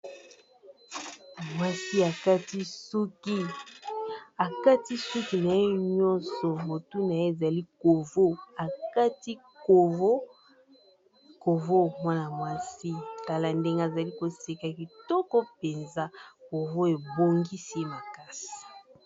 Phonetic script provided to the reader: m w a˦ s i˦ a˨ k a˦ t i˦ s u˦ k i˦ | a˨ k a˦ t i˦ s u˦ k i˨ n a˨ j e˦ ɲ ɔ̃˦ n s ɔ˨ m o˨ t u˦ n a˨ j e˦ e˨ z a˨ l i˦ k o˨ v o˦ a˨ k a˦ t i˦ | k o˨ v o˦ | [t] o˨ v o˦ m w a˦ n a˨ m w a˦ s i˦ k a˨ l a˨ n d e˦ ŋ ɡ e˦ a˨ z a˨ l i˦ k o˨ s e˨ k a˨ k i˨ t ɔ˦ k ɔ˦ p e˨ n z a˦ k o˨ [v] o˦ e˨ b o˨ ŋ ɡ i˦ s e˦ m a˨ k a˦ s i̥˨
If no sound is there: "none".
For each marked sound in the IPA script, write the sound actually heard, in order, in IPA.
k, v

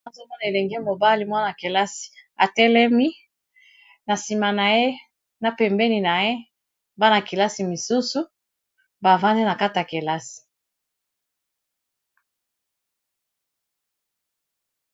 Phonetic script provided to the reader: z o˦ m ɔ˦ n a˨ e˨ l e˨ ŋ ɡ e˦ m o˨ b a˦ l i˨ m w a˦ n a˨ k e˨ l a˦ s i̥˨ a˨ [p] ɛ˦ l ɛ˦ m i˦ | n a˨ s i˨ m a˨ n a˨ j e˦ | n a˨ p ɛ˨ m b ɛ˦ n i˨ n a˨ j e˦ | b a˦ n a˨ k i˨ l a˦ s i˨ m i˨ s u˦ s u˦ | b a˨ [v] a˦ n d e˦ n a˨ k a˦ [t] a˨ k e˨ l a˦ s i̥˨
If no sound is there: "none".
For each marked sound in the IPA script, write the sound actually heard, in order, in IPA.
t, v, t

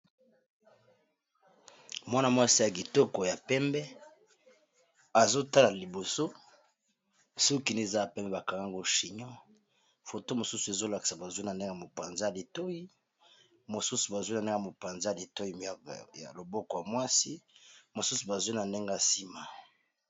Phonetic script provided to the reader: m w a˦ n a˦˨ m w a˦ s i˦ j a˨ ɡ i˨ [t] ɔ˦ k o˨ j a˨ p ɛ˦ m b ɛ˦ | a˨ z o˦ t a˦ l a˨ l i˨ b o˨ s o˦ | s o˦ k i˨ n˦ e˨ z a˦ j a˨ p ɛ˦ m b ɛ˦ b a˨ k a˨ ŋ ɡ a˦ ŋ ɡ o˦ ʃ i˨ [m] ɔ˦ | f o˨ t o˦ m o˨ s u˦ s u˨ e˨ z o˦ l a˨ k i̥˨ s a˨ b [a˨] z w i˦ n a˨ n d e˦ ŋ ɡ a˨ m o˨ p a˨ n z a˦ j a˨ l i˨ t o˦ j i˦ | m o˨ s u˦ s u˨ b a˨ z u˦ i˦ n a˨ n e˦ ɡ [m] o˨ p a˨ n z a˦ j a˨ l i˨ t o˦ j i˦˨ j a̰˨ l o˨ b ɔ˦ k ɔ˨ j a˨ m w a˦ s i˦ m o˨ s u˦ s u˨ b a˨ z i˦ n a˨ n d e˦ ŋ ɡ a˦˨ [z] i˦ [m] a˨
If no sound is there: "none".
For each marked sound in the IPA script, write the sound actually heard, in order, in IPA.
t, ɲ, a˨, m, s, m

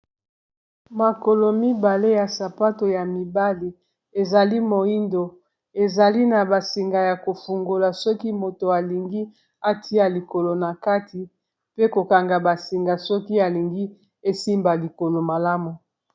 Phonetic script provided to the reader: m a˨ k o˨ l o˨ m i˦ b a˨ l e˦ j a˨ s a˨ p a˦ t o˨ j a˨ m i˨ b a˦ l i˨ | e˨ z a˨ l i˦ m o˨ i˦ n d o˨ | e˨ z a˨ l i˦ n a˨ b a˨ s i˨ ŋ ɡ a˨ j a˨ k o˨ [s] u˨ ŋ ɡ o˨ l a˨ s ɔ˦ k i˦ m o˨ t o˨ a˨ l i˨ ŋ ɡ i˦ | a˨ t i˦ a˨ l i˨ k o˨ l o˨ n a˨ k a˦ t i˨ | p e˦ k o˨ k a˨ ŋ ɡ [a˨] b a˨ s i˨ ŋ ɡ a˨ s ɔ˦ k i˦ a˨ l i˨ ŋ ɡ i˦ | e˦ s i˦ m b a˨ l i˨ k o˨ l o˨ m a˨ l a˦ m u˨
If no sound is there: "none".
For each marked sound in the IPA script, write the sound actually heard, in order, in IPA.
f, a˨

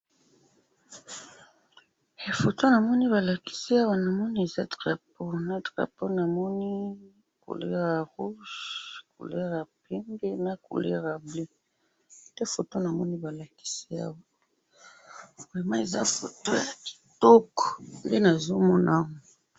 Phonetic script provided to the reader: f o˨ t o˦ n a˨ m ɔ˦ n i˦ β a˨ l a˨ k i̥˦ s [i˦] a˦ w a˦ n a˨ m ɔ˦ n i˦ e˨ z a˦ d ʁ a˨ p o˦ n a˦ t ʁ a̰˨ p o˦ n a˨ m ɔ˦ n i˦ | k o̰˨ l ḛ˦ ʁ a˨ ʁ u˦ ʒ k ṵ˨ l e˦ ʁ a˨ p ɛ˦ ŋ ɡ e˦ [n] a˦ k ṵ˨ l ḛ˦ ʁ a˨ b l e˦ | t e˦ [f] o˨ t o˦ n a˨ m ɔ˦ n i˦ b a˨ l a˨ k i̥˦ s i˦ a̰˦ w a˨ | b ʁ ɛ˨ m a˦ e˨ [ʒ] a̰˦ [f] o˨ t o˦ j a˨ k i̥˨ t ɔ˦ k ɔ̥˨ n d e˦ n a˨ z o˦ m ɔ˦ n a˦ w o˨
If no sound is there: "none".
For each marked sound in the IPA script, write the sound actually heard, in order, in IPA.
i˦, n, f, z, f

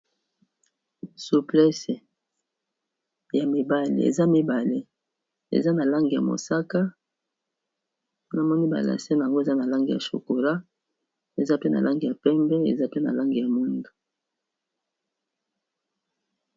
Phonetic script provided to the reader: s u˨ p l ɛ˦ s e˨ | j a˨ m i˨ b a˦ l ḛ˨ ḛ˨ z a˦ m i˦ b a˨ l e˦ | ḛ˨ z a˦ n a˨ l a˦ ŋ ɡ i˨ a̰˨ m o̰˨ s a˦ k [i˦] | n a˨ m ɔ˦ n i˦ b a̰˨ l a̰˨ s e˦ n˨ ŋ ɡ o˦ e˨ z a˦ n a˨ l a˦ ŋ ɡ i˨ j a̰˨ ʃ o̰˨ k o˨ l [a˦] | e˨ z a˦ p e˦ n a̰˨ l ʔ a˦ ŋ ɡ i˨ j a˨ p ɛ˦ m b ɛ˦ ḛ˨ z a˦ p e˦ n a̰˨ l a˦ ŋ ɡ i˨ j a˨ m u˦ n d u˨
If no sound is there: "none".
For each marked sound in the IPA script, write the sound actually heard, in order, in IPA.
a˦, a˦

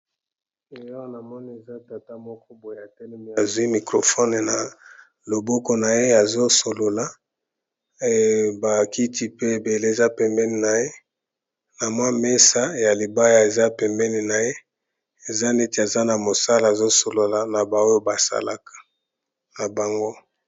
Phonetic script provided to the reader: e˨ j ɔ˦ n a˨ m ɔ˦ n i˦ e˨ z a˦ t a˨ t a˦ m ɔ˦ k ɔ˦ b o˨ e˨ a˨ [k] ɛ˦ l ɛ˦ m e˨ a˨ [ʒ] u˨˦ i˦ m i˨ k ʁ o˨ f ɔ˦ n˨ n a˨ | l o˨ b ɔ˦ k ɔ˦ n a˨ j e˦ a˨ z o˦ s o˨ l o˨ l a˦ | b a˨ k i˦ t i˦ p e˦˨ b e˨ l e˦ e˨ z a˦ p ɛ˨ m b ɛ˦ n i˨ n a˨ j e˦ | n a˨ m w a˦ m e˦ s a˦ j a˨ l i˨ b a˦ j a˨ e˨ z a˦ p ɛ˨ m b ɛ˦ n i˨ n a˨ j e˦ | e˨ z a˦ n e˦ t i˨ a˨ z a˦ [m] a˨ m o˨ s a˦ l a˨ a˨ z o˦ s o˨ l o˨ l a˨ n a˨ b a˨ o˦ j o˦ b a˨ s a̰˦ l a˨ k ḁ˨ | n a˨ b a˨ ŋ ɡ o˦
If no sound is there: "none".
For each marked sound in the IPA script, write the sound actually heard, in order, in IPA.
t, z, n

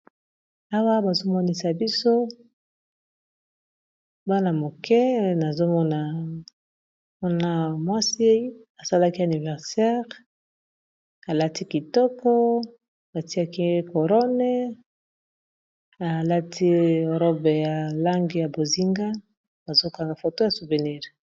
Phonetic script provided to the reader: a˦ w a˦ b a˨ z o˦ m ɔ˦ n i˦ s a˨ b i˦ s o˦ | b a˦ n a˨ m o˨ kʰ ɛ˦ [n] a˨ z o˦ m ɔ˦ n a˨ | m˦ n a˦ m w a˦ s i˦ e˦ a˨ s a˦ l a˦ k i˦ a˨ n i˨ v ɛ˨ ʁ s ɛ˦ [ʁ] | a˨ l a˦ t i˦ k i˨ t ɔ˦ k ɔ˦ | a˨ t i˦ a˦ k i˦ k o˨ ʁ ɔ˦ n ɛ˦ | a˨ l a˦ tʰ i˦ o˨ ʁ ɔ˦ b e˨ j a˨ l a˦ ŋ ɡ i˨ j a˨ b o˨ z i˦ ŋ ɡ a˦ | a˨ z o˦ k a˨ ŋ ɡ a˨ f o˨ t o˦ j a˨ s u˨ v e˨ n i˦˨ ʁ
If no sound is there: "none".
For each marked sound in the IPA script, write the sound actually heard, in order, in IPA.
n, ʁ

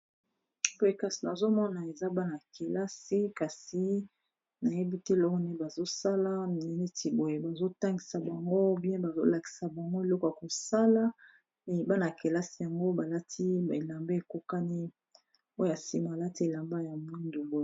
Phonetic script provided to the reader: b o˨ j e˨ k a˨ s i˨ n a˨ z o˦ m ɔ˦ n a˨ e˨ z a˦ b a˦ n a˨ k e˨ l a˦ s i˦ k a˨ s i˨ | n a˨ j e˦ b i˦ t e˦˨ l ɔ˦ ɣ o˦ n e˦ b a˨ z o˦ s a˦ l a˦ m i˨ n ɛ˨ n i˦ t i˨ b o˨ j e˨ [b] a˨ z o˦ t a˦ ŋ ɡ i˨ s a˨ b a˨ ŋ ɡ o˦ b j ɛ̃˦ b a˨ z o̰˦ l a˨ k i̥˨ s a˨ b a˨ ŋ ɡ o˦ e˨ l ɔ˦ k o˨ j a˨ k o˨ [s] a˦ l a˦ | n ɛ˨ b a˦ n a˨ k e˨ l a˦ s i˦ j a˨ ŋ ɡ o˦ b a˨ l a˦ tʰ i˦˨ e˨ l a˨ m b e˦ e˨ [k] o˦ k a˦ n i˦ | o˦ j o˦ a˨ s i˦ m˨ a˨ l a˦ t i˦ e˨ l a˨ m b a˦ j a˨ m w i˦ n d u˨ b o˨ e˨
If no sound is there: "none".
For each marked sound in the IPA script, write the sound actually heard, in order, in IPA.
b, s, k

